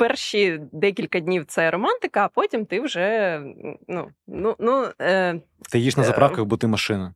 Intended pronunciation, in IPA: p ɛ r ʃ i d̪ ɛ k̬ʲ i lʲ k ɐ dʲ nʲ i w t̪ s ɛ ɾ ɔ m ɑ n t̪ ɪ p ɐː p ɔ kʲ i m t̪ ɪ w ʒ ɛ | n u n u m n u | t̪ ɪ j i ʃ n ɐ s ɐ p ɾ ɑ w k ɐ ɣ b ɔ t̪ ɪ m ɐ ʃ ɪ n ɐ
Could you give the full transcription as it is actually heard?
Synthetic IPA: p ɛ r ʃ i d̪ ɛ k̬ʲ i lʲ k ɐ dʲ nʲ i w t̪ s ɛ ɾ ɔ m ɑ n t̪ ɪ k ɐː p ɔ tʲ i m t̪ ɪ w ʒ ɛ | n u n u n u | t̪ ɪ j i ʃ n ɐ z ɐ p ɾ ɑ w k ɐ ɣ b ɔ t̪ ɪ m ɐ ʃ ɪ n ɐ